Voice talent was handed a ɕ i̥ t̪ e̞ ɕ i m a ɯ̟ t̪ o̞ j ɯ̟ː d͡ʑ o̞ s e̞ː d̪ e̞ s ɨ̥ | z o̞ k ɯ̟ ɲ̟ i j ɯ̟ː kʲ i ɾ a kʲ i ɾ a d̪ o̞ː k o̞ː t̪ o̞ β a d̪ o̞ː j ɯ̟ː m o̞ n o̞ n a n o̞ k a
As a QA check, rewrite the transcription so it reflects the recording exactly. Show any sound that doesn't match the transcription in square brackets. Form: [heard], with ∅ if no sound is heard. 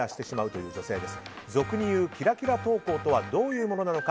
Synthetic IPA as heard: a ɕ i̥ t̪ e̞ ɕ i m a ɯ̟ t̪ o̞ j ɯ̟ː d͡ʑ o̞ s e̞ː d̪ e̞ s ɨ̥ | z o̞ k ɯ̟ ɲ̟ i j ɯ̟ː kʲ i ɾ a kʲ i ɾ a [t̪] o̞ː k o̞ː t̪ o̞ β a d̪ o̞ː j ɯ̟ː m o̞ n o̞ n a n o̞ k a